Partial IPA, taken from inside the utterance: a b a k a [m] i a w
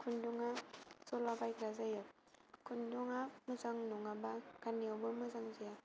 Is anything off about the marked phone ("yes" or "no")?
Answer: yes